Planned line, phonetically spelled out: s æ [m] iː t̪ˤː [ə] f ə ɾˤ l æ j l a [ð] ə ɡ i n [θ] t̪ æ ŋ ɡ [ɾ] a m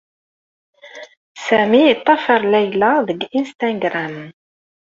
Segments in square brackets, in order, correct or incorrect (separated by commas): correct, incorrect, correct, incorrect, correct